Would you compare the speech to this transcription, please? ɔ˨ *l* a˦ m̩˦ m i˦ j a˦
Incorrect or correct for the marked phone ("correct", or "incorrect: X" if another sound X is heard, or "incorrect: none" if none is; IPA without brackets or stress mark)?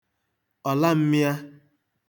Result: correct